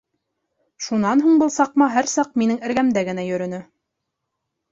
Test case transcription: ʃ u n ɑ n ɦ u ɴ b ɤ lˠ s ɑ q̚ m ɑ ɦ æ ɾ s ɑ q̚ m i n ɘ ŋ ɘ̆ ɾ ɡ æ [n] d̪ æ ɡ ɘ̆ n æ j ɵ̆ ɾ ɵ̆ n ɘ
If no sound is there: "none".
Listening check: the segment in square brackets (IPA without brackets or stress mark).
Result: m